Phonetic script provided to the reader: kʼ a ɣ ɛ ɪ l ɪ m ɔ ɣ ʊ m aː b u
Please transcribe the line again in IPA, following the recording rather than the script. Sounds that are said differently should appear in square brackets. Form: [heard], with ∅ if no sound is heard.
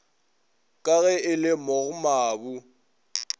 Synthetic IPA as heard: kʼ a ɣ ɛ ɪ l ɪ m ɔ ɣ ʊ m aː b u